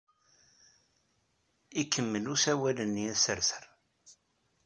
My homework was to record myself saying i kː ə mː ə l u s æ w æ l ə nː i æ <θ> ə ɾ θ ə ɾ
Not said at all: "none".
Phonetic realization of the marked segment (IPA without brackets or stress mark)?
s